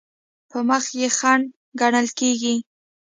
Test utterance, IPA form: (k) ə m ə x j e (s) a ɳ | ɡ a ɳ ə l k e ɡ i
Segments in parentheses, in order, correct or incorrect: incorrect: p, incorrect: x

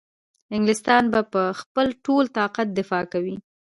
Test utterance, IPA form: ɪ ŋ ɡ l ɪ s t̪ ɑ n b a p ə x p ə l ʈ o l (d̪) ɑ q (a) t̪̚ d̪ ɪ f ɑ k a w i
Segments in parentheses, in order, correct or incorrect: incorrect: t̪, correct

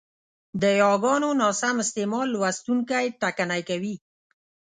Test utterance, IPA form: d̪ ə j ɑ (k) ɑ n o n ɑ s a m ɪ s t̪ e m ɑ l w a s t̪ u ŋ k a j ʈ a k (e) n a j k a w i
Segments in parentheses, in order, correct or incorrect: incorrect: ɡ, incorrect: a

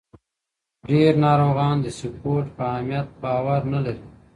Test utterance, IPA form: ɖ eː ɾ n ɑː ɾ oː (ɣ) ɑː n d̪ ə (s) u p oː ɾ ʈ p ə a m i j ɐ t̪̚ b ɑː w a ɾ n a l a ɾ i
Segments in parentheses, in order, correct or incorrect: correct, correct

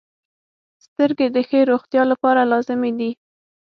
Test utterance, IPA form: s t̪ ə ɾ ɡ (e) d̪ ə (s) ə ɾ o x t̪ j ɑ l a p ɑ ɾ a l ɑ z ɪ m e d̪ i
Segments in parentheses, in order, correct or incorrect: correct, incorrect: x

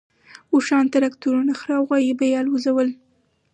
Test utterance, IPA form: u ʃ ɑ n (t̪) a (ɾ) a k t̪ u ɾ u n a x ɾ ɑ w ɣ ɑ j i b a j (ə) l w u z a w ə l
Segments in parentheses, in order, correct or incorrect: correct, correct, incorrect: ɑ

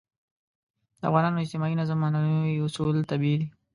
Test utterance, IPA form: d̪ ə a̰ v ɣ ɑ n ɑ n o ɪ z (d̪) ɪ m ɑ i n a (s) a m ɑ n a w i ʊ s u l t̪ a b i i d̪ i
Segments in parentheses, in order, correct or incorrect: incorrect: t̪, incorrect: z

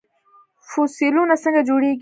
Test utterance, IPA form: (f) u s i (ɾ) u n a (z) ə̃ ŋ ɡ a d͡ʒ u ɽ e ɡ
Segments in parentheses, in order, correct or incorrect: correct, incorrect: l, incorrect: s

